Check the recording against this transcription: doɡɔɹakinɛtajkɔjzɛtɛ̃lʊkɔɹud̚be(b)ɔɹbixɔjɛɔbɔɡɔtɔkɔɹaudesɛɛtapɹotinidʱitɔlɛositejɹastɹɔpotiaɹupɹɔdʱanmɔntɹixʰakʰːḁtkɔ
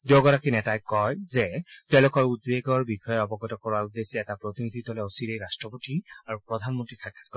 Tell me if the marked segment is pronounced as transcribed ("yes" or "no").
no